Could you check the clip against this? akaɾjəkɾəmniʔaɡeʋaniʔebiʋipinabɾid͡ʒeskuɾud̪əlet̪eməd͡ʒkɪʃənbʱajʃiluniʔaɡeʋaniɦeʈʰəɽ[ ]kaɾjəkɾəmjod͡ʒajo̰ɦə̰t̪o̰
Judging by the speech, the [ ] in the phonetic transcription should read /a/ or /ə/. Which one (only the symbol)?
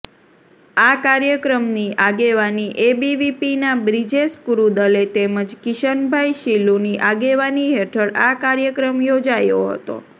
a